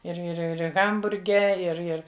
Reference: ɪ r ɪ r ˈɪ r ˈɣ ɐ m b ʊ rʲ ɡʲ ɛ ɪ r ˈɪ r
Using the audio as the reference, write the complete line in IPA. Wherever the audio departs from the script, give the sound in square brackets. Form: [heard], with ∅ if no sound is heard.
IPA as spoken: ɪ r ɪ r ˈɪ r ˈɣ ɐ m b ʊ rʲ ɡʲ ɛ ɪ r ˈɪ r